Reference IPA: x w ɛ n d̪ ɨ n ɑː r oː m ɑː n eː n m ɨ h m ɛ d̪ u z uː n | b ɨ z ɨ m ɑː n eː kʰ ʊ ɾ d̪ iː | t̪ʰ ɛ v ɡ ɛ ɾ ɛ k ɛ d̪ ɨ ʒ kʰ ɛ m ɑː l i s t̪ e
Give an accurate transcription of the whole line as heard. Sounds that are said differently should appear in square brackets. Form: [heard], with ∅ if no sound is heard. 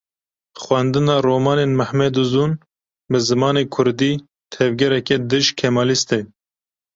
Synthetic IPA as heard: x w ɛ n d̪ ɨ n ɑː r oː m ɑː n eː n m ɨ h m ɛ d̪ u z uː n | b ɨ z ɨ m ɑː n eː kʰ ʊ ɾ d̪ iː | t̪ʰ ɛ v ɡ ɛ ɾ ɛ k ɛ d̪ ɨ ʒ kʰ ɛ m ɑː l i s t̪ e